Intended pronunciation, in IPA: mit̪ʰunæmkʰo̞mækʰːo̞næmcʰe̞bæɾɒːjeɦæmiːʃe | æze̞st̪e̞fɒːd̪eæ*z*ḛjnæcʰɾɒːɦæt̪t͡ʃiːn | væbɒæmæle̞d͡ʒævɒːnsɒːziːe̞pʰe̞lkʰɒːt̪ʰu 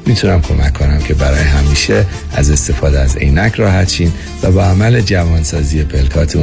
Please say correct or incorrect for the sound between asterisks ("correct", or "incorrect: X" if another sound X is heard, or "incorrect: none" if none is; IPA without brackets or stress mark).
correct